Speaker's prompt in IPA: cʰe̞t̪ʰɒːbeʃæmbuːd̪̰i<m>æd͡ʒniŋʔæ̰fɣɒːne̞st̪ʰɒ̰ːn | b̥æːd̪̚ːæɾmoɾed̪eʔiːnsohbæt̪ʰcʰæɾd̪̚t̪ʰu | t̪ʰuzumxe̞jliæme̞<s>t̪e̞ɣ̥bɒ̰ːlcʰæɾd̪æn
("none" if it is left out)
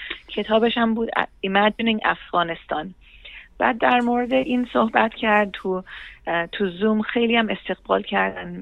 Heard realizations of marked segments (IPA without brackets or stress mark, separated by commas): m, s